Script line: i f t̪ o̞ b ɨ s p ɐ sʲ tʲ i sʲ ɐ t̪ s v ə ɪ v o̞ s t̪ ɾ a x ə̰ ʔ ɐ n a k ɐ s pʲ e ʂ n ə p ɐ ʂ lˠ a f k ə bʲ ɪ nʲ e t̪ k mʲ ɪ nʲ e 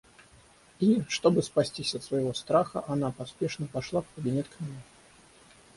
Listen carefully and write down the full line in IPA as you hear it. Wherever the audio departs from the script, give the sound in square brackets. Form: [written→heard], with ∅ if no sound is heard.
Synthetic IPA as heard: i [f→ʂ] t̪ o̞ b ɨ s p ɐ sʲ tʲ i sʲ ɐ t̪ s v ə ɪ v o̞ s t̪ ɾ a x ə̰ ʔ ɐ n a [k→p] ɐ s pʲ e ʂ n ə p ɐ ʂ lˠ a f k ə bʲ ɪ nʲ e t̪ k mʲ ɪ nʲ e